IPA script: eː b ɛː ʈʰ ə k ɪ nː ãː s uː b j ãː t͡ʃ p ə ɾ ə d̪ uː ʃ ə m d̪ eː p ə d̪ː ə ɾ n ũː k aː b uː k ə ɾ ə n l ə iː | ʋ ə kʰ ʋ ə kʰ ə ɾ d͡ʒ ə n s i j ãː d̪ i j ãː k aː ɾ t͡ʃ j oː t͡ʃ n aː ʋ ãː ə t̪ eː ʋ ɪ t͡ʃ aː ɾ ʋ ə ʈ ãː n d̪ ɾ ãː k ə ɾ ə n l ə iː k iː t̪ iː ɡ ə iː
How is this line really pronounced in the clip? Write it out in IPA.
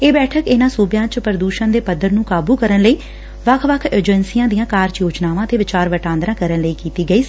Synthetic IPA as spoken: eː b ɛː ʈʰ ə k ɪ n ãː s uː b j ãː t͡ʃ p ə ɾ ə d̪ uː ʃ ə n d̪ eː p ə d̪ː ə ɾ n ũː k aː b uː k ə ɾ ə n l ə iː | ʋ ə kʰ ʋ ə kʰ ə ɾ d͡ʒ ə n s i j ãː d̪ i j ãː k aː ɾ t͡ʃ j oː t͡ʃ n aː ʋ ãː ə t̪ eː ʋ ɪ t͡ʃ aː ɾ ʋ ə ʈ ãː n d̪ ɾ ãː k ə ɾ ə n l ə iː k iː t̪ iː ɡ ə iː